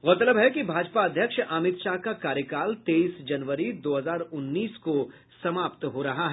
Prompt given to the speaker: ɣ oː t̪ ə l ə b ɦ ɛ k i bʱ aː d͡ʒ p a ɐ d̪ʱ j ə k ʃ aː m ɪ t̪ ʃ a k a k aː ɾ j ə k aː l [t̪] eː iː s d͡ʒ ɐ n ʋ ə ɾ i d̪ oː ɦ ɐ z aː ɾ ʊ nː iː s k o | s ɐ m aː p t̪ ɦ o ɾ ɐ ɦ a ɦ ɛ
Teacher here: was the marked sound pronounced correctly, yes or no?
yes